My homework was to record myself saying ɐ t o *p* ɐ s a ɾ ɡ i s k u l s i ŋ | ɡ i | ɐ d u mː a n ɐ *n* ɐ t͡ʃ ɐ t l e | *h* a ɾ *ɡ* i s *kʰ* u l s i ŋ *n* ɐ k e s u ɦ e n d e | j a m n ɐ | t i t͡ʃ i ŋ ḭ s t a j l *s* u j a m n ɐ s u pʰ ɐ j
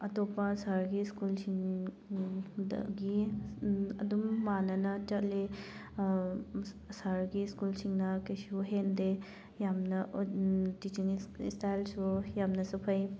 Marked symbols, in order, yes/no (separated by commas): yes, yes, no, yes, no, yes, yes